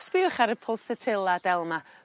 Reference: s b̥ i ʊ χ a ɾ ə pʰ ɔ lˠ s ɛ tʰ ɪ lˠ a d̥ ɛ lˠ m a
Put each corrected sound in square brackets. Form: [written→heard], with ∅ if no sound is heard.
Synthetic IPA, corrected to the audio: s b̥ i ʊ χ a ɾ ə pʰ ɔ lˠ s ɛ tʰ ɪ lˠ a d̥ ɛ lˠ m a